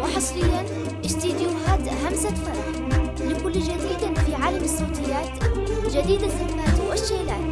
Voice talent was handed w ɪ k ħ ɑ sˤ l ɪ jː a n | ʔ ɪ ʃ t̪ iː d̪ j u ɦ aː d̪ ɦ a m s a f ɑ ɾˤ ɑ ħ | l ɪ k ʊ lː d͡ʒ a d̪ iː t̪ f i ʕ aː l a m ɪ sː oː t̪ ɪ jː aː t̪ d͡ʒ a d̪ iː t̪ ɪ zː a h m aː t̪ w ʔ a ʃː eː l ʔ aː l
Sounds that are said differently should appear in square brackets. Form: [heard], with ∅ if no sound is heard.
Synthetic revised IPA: w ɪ [∅] ħ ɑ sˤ l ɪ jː a n | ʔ ɪ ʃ t̪ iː d̪ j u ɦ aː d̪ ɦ a m s a f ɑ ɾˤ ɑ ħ | l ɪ k ʊ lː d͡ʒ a d̪ iː [d̪] f i ʕ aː l a m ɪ sː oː t̪ ɪ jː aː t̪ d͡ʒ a d̪ iː [d̪] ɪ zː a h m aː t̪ w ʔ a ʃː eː l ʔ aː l